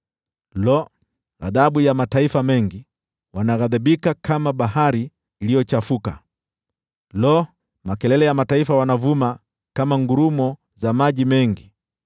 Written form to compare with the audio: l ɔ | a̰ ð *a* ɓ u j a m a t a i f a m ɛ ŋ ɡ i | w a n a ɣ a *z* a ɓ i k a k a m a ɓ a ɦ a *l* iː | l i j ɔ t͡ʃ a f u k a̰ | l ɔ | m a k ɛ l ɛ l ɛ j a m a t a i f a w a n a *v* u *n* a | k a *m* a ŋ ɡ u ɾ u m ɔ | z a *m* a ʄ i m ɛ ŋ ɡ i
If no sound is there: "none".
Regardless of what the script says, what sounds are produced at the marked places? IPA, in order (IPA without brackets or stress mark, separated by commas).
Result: a, ð, ɾ, v, m, m, m